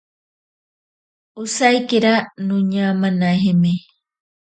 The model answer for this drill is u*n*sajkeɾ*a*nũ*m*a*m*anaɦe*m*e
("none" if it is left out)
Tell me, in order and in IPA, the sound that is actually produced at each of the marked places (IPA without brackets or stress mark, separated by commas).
none, a, ɲ, m, m